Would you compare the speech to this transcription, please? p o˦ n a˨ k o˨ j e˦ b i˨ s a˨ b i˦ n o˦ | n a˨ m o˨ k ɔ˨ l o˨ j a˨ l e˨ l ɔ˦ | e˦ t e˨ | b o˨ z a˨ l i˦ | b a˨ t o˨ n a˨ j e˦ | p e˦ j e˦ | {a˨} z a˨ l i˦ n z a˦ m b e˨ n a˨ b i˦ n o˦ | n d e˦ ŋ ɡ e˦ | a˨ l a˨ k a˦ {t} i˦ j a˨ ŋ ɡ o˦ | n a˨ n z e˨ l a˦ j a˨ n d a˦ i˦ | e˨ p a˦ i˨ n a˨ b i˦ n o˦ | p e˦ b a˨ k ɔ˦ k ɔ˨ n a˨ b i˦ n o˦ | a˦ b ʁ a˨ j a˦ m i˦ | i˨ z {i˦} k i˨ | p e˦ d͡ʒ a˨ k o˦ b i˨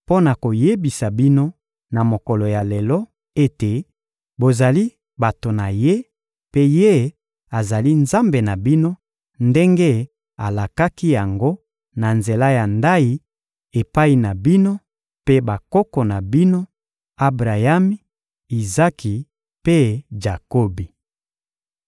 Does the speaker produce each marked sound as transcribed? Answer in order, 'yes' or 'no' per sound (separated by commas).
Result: yes, no, no